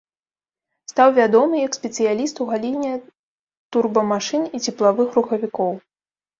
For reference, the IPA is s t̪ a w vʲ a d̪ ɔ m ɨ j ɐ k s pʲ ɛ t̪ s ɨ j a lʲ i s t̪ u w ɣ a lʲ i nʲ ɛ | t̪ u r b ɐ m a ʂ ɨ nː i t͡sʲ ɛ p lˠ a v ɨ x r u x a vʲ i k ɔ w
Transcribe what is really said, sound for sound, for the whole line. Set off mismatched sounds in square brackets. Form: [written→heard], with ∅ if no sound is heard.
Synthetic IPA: s t̪ a w vʲ a d̪ ɔ m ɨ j ɐ k s pʲ ɛ t̪ s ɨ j a lʲ i s t̪ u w ɣ a lʲ i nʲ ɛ | t̪ u r b ɐ m a ʂ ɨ [nː→n] i t͡sʲ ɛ p lˠ a v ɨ x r u x [a→ɐ] vʲ i k ɔ w